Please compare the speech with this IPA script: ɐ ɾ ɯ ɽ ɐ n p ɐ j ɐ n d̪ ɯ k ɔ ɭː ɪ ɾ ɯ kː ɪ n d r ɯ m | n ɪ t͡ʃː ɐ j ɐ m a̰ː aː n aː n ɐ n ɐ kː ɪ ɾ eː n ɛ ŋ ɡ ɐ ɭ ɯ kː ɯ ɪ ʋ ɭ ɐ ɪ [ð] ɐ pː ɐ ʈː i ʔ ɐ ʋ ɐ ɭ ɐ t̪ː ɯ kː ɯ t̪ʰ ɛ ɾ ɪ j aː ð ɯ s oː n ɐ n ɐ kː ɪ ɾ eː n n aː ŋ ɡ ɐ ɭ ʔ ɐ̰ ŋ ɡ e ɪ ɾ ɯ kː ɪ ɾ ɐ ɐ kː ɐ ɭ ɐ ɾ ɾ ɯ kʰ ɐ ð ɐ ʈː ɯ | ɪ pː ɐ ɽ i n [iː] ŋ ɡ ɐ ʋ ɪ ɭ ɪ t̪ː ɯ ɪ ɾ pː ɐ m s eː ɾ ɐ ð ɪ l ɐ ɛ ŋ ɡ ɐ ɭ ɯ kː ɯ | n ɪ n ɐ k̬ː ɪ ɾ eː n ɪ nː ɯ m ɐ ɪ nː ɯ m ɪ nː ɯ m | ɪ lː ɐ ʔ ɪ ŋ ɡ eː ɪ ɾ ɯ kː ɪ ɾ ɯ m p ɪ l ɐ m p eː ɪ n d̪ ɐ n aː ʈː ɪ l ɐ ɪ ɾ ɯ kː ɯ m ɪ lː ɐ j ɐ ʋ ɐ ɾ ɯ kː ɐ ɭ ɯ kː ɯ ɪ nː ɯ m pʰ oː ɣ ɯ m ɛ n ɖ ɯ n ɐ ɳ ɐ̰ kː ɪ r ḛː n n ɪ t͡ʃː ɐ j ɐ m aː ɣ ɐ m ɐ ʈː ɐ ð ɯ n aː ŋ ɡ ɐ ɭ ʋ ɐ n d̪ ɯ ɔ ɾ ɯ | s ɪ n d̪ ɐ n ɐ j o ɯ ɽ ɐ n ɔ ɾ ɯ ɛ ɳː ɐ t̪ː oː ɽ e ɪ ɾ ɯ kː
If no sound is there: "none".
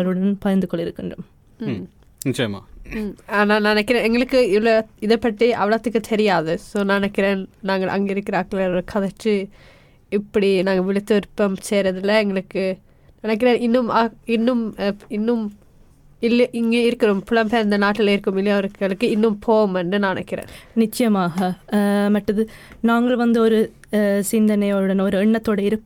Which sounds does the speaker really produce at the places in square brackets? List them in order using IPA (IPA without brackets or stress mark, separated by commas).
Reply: ð, aː